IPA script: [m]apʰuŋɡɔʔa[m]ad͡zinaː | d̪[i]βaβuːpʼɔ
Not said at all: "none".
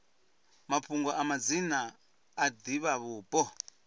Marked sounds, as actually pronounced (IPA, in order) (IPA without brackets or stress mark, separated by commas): m, m, i